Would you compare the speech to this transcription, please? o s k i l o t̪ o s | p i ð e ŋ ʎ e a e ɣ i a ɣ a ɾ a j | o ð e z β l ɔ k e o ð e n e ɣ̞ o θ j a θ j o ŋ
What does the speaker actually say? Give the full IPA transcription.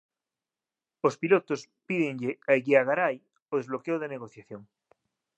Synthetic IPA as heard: o s p i l o t̪ o s | p i ð e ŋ ʎ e a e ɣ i a ɣ a ɾ a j | o ð e z β l o k e o ð e n e ɣ̞ o θ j a θ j o ŋ